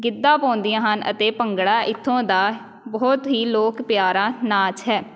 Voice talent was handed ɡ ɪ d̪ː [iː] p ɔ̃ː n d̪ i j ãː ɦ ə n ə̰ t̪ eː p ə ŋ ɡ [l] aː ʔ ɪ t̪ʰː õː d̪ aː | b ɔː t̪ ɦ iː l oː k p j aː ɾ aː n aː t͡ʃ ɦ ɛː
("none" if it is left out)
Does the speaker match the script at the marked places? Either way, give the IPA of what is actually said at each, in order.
aː, ɽ

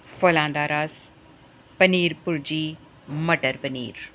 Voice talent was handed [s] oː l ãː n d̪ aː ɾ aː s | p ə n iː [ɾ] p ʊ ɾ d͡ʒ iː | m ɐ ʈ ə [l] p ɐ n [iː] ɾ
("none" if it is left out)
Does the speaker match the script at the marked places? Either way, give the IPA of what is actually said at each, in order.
f, ɾ, ɾ, iː

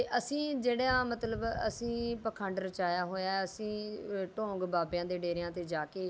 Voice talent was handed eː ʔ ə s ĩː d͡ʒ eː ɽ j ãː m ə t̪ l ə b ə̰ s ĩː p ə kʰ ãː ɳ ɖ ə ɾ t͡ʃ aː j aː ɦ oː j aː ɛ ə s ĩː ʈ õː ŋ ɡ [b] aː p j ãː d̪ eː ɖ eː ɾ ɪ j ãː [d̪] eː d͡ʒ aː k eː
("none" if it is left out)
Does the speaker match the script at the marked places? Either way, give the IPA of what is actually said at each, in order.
b, t̪

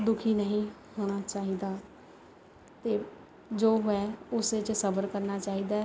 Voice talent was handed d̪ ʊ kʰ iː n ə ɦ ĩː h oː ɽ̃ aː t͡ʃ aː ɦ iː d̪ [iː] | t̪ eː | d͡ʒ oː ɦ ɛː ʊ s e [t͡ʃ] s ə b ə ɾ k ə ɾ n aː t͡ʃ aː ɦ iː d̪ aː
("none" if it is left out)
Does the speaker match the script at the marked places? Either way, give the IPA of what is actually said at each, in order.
aː, t͡ʃ

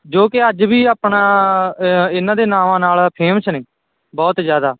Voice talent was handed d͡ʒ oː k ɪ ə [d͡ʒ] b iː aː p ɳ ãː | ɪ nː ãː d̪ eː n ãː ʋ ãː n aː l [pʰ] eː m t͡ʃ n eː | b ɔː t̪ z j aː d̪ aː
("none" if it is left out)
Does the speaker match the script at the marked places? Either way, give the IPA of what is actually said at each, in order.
d͡ʒ, pʰ

